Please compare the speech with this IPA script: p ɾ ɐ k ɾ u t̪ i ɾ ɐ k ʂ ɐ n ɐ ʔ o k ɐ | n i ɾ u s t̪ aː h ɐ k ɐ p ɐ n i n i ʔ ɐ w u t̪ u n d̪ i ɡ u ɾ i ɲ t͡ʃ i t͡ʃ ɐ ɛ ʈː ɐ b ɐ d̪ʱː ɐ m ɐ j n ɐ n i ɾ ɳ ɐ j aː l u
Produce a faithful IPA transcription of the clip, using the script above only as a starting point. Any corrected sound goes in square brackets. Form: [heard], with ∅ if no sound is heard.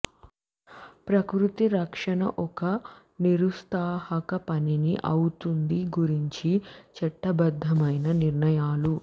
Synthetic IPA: p ɾ ɐ k ɾ u t̪ i ɾ ɐ k ʂ ɐ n ɐ ʔ [ɔ] k ɐ | n i ɾ u s t̪ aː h ɐ k ɐ p ɐ n i n i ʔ ɐ w u t̪ u n d̪ i ɡ u ɾ i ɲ t͡ʃ i t͡ʃ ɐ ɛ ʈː ɐ b ɐ d̪ʱː ɐ m ɐ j n ɐ n i ɾ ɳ ɐ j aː l u

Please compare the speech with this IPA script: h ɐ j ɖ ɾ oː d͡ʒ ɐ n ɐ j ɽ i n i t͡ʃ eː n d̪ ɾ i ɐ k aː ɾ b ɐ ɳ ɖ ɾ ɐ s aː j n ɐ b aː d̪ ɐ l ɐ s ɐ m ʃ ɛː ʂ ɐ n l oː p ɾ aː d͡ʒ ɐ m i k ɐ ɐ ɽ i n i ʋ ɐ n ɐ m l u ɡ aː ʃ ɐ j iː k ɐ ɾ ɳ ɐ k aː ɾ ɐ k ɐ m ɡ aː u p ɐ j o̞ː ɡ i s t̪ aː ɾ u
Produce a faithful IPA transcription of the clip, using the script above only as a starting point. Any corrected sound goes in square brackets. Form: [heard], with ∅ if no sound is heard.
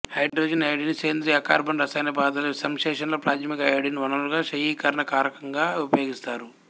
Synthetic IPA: h ɐ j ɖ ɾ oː d͡ʒ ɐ n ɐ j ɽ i n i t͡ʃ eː n d̪ ɾ i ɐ k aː ɾ b ɐ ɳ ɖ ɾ ɐ s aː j n ɐ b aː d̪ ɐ l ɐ s ɐ m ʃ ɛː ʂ ɐ n l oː p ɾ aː d͡ʒ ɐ m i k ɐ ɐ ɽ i n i ʋ ɐ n ɐ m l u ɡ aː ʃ ɐ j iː k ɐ ɾ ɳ ɐ k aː ɾ ɐ k ɐ [ŋ] ɡ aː u p ɐ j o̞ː ɡ i s t̪ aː ɾ u

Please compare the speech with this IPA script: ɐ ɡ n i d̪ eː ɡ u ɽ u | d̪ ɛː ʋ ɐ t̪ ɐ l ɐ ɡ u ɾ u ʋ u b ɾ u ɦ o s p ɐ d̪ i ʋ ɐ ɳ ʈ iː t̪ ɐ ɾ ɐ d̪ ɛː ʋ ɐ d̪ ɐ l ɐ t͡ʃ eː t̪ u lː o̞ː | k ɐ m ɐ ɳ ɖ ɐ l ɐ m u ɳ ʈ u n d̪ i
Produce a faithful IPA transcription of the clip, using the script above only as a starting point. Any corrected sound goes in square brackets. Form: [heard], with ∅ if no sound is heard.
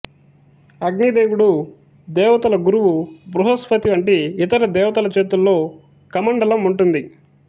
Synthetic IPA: ɐ ɡ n i d̪ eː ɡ u ɽ u | d̪ ɛː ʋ ɐ t̪ ɐ l ɐ ɡ u ɾ u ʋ u b ɾ u ɦ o s p ɐ [t̪] i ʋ ɐ ɳ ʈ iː t̪ ɐ ɾ ɐ d̪ ɛː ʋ ɐ [t̪] ɐ l ɐ t͡ʃ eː t̪ u lː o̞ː | k ɐ m ɐ ɳ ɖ ɐ l ɐ m u ɳ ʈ u n d̪ i

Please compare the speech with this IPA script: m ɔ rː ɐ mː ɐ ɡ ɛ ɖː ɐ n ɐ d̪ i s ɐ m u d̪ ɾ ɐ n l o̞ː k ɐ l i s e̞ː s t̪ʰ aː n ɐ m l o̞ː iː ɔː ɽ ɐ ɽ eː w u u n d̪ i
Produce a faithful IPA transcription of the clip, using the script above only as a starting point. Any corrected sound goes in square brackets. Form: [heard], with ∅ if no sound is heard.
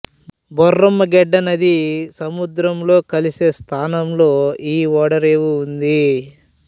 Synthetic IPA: [b] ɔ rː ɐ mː ɐ ɡ ɛ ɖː ɐ n ɐ d̪ i s ɐ m u d̪ ɾ ɐ [m] l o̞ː k ɐ l i s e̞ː s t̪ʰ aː n ɐ m l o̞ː iː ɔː ɽ ɐ [ɾ] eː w u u n d̪ i

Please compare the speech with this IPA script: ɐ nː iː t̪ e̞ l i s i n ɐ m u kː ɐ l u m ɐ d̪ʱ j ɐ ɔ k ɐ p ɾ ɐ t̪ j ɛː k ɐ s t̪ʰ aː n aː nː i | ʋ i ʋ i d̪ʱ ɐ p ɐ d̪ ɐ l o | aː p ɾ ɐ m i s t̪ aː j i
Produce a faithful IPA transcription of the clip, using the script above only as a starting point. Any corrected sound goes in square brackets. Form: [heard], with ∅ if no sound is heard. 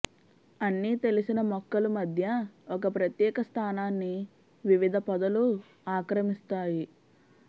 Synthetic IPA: ɐ nː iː t̪ e̞ l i s i n ɐ m [ɔ] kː ɐ l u m ɐ d̪ʱ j ɐ ɔ k ɐ p ɾ ɐ t̪ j ɛː k ɐ s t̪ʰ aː n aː nː i | ʋ i ʋ i d̪ʱ ɐ p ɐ d̪ ɐ l [u] | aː [k] ɾ ɐ m i s t̪ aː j i

